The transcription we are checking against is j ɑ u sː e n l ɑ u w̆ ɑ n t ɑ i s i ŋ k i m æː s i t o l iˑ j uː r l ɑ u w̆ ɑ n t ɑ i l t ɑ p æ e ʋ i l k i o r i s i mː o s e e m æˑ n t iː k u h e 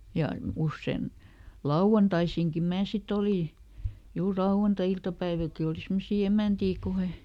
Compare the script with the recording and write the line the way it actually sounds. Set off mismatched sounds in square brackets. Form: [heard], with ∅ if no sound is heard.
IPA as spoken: j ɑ u sː e n l ɑ u w̆ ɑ n t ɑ i s i ŋ k i m æː s i t o l iˑ j uː r l ɑ u w̆ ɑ n t ɑ i l t ɑ p æ [i] ʋ i l k i o [l] i s i mː o s [i] e m æˑ n t iː k u h e